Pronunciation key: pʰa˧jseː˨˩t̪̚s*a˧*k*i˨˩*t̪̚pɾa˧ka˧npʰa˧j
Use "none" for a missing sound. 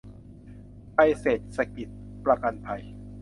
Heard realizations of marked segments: a˧, i˨˩

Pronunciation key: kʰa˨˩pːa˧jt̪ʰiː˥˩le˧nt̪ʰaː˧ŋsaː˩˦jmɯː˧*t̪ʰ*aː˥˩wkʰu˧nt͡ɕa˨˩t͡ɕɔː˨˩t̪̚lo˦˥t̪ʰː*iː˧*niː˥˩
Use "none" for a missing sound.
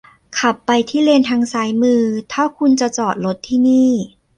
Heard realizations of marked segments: t̪ʰ, iː˥˩

